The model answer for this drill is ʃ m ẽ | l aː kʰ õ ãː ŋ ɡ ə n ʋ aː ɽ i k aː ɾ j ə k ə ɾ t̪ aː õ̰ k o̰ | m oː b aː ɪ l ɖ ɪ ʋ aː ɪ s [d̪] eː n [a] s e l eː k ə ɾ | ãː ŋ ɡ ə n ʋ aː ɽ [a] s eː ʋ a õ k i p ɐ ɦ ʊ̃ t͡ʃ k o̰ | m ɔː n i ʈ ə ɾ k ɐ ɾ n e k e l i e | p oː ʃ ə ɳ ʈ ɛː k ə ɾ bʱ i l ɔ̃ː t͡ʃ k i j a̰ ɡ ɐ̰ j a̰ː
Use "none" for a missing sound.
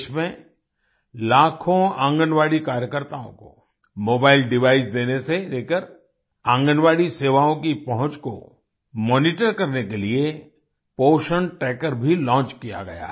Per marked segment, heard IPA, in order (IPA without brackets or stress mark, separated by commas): d̪, e, i